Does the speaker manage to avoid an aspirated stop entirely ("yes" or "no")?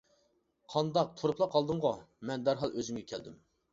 no